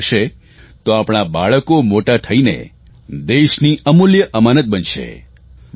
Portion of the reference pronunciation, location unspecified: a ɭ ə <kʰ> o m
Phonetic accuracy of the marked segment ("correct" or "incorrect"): incorrect